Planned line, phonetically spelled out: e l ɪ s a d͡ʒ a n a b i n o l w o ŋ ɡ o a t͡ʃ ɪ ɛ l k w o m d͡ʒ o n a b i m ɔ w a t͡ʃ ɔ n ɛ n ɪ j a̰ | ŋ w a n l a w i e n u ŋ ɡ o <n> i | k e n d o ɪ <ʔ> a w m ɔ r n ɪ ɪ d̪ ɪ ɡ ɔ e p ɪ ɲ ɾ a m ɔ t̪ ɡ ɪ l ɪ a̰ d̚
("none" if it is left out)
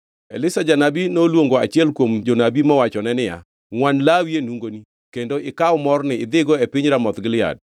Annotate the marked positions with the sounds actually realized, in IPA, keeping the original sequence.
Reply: n, k

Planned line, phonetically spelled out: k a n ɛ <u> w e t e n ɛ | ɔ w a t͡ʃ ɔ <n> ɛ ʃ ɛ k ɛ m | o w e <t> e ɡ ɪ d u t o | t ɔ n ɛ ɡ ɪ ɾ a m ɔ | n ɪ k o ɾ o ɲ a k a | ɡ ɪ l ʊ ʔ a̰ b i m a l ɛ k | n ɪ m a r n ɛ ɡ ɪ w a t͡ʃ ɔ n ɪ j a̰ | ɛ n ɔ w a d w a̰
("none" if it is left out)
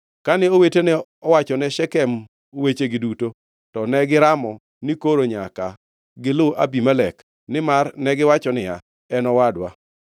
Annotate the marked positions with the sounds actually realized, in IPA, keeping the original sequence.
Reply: o, n, t͡ʃ

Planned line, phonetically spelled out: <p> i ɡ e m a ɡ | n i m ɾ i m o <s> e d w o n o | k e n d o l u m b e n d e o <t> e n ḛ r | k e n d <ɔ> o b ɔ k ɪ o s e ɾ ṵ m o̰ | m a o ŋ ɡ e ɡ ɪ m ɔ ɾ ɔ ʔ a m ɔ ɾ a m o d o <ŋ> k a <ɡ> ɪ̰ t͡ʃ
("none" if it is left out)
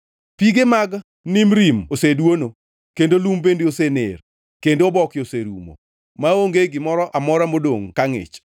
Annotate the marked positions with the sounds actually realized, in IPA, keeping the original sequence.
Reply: p, s, s, o, ŋ, ŋ

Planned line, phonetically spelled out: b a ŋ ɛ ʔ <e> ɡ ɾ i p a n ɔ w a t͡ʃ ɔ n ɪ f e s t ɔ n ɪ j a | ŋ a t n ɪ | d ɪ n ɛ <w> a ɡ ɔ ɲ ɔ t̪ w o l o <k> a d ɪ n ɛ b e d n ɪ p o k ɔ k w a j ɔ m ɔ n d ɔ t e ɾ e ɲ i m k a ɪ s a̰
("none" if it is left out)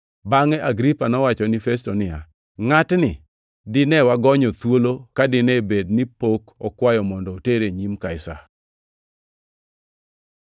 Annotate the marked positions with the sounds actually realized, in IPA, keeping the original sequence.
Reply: a, w, k

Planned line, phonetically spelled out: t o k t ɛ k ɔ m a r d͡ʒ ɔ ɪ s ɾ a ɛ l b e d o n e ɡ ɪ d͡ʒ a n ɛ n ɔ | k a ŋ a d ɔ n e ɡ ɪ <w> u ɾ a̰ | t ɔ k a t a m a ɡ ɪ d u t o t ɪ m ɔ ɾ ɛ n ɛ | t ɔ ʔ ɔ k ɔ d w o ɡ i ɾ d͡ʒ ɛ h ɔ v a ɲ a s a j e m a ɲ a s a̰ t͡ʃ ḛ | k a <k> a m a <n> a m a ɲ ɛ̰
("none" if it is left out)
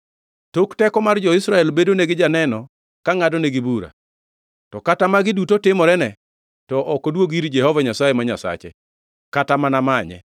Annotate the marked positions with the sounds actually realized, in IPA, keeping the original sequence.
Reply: b, t, n

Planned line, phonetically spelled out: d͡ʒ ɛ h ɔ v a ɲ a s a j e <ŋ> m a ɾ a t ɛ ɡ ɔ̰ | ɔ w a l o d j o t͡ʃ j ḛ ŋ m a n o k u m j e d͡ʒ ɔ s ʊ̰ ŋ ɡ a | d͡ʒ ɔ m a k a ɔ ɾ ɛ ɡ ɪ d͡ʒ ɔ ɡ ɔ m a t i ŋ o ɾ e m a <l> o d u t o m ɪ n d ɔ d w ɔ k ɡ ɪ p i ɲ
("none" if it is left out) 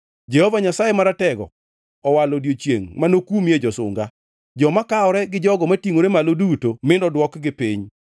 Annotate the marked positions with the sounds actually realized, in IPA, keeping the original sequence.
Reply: none, l

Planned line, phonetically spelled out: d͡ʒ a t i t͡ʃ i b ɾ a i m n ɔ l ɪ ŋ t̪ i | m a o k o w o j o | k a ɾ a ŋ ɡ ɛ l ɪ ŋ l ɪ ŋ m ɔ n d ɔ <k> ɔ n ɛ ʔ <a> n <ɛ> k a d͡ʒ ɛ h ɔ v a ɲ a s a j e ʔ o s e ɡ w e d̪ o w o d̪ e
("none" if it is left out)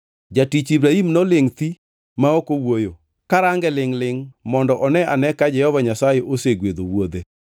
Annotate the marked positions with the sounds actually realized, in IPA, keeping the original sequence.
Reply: ʔ, a, ɛ

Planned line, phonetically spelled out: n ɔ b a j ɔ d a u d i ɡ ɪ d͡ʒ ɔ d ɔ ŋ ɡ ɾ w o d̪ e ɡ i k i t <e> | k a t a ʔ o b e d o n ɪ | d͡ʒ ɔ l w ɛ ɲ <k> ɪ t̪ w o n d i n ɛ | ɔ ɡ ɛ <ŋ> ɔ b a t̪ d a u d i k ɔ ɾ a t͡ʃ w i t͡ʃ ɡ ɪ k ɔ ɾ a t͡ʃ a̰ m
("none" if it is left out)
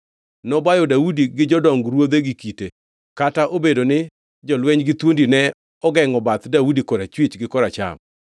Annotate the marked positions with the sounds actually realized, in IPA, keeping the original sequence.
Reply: e, ɡ, ŋ

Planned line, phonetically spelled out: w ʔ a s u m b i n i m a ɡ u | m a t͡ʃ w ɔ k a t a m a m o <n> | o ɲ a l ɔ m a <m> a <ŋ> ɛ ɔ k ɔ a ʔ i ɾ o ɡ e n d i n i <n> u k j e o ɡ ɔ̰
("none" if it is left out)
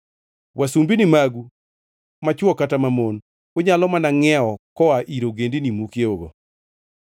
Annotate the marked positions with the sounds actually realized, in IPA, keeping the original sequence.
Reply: n, n, ŋ, m

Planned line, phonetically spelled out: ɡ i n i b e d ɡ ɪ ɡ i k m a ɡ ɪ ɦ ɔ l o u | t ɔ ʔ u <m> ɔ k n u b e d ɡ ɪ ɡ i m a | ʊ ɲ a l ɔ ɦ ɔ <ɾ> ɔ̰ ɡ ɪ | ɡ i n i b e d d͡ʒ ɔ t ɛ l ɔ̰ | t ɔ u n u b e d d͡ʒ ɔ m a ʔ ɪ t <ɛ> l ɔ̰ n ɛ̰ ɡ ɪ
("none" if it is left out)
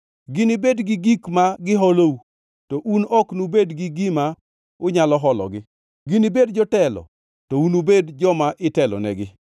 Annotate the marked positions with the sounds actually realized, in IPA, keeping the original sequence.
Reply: n, l, ɛ

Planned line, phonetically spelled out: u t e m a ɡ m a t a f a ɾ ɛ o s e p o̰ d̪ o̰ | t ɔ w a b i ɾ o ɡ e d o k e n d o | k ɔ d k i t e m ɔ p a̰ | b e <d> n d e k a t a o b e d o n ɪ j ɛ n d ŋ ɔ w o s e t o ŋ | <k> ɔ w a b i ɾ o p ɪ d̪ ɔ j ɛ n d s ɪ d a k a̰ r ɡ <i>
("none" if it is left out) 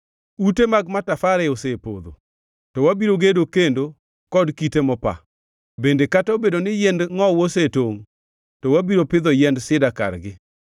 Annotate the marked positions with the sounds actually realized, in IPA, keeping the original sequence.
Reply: none, t, ɪ

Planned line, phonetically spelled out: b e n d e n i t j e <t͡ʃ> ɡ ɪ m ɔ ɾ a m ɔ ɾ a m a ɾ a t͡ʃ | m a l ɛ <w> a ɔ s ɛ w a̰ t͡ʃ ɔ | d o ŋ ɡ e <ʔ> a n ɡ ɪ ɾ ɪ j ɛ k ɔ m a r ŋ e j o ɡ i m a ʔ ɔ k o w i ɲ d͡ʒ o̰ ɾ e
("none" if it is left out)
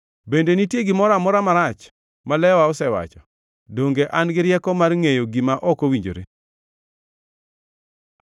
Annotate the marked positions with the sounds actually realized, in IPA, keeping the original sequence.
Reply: none, w, ʔ

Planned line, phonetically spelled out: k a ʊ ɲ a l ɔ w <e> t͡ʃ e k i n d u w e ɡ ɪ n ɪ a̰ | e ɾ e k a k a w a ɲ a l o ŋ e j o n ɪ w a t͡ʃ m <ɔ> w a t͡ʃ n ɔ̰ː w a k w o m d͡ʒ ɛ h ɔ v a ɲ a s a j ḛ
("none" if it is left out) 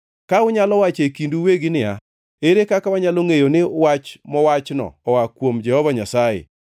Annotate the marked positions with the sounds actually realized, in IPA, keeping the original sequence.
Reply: a, ɔ

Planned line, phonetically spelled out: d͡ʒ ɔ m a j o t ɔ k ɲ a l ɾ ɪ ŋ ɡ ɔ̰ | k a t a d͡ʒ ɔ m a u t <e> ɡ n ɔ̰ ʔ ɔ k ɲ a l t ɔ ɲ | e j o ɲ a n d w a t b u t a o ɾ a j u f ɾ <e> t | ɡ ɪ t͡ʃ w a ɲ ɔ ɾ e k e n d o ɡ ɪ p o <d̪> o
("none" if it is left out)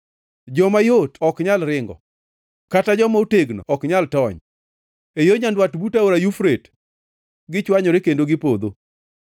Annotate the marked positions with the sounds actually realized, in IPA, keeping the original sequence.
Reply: e, e, d̪

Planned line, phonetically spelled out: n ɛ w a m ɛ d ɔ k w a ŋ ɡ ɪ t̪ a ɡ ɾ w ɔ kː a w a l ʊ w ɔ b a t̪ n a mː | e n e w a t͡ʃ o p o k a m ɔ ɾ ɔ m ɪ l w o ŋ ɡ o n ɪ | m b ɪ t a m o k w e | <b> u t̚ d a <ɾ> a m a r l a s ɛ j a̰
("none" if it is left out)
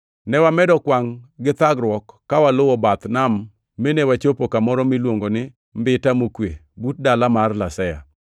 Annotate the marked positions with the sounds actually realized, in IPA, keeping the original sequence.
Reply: b, l

